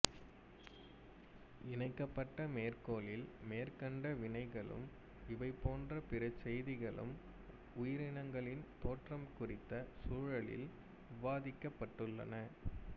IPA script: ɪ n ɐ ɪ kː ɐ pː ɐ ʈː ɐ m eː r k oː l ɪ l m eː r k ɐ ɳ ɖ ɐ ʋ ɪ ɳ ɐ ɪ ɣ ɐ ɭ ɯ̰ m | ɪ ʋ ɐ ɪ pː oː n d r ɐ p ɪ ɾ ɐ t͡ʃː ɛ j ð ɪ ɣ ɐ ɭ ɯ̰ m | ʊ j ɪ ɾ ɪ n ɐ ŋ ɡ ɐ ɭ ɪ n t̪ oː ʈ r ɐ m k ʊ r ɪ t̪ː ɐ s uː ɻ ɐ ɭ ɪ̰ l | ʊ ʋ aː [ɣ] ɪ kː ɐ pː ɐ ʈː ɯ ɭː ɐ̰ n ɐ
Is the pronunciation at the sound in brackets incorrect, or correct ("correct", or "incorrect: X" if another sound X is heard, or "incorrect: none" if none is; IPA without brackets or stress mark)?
incorrect: ð